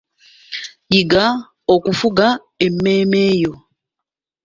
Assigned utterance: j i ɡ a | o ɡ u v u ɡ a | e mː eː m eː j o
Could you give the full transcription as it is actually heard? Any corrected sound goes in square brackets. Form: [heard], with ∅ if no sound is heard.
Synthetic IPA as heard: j i ɡ a | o [k] u [f] u ɡ a | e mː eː m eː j o

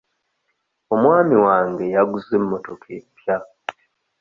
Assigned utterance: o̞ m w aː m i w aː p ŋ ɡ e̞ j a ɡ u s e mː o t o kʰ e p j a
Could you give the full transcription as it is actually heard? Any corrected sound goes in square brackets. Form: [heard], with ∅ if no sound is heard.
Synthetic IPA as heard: o̞ m w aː m i w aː [∅] ŋ ɡ e̞ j a ɡ u [z] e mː o t o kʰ e p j a

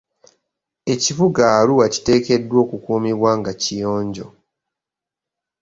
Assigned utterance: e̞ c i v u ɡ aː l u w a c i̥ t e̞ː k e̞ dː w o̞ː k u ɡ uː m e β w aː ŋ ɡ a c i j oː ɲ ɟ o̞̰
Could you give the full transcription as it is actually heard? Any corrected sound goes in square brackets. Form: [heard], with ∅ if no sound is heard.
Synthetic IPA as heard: e̞ c i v u ɡ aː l u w a c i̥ t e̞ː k e̞ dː w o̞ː k u [k] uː m [i] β w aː ŋ ɡ a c i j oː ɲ ɟ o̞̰

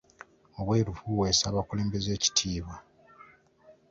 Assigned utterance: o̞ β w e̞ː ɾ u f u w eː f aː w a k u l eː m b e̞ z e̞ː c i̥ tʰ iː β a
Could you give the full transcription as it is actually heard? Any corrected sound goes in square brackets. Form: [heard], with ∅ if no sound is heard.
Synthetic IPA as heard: o̞ β w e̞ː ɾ u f u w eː [s] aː [β] a k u l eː m b e̞ z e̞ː c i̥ tʰ iː β a

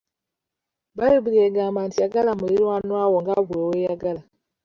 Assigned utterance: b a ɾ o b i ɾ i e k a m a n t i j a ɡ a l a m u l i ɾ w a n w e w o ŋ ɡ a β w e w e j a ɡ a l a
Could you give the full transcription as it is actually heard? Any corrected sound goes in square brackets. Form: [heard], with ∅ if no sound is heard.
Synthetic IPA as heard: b a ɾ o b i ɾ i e [ɡ] a m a n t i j a ɡ a l a m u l i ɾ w a n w [a] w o ŋ ɡ a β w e w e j a ɡ a l a

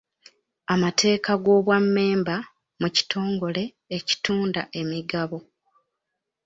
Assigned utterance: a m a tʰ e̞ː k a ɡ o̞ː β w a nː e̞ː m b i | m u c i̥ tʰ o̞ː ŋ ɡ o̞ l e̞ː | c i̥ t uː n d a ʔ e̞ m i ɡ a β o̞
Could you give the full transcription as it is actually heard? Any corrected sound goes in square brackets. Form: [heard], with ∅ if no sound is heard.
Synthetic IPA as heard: a m a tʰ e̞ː k a ɡ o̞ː β w a [mː] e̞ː m b [a] | m u c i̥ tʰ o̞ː ŋ ɡ o̞ l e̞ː | c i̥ t uː n d a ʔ e̞ m i ɡ a β o̞

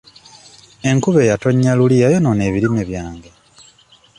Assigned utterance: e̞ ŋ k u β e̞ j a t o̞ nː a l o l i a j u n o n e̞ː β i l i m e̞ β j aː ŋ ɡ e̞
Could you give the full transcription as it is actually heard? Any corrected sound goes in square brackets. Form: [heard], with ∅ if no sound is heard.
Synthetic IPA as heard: e̞ ŋ k u β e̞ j a t o̞ [ɲː] a l [u] l i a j [o] n o n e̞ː β i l i m e̞ β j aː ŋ ɡ e̞

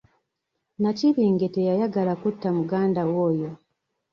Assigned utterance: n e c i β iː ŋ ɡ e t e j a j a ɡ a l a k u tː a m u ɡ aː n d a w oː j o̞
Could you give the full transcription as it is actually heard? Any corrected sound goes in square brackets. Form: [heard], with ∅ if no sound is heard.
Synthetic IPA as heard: n [a] c i β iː ŋ ɡ e t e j a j a ɡ a l a k u tː a m u ɡ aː n d a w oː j o̞

